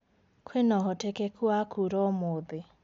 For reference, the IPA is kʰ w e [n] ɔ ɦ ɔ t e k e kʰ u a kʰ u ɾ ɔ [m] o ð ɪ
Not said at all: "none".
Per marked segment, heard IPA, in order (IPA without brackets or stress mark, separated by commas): n, m